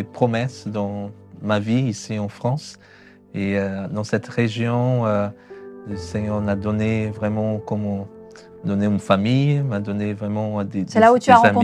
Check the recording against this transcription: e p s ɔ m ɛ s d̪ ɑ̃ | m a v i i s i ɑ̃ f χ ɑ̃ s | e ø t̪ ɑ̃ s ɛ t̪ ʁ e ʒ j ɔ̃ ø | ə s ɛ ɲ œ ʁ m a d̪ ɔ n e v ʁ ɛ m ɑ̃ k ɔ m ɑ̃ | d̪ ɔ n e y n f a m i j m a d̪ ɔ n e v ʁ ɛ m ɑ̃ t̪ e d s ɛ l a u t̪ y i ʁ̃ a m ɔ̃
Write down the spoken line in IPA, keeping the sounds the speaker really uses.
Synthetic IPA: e p χ ɔ m ɛ s d̪ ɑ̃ | m a v i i s i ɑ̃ f χ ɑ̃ s | e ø d̪ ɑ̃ s ɛ t̪ ʁ e ʒ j ɔ̃ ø | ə s ɛ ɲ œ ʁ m a d̪ ɔ n e v ʁ ɛ m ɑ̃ k ɔ m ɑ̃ | d̪ ɔ n e y n f a m i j m a d̪ ɔ n e v ʁ ɛ m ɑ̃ d̪ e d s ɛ l a u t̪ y a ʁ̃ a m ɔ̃